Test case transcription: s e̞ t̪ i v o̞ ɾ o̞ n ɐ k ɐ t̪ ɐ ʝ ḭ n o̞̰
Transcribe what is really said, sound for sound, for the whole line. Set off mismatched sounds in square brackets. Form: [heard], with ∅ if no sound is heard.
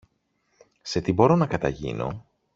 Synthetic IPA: s e̞ t̪ i [b] o̞ ɾ o̞ n ɐ k ɐ t̪ ɐ ʝ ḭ n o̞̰